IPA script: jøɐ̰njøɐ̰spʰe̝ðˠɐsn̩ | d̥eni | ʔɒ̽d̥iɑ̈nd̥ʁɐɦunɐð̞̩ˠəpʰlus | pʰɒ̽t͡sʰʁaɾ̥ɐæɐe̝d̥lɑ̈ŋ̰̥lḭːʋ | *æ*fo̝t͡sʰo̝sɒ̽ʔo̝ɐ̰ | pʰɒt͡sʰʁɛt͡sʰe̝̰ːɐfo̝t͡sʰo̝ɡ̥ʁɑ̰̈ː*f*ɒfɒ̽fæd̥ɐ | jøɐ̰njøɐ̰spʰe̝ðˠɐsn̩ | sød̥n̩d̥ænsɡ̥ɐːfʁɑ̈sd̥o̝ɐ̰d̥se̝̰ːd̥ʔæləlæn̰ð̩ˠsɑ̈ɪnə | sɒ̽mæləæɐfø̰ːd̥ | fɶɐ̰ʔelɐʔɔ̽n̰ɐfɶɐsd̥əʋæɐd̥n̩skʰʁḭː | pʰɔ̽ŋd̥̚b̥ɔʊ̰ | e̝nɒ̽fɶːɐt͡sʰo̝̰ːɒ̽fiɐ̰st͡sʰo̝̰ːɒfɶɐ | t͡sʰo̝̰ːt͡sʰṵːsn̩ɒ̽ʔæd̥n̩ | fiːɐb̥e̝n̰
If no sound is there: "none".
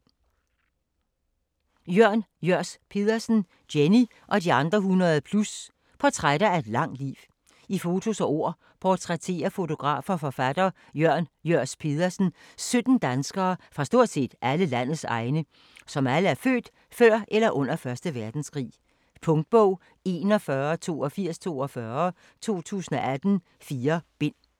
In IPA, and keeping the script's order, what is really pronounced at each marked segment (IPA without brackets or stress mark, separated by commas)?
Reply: i, f